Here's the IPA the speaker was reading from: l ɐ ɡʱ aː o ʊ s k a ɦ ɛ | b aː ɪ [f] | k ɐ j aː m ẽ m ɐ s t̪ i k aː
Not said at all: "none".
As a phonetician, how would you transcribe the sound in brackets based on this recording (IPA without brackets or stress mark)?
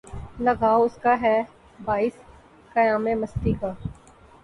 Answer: s